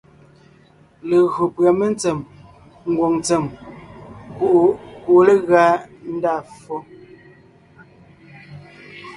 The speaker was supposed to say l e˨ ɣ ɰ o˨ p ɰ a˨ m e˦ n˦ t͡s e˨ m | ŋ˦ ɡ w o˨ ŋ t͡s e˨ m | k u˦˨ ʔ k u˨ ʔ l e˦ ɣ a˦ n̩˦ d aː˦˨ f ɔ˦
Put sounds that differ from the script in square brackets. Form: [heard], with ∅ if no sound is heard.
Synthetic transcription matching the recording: l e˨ ɣ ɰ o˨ p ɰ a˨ m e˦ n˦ t͡s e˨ m | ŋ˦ ɡ w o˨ ŋ t͡s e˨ m | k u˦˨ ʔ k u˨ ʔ l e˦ ɣ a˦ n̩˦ d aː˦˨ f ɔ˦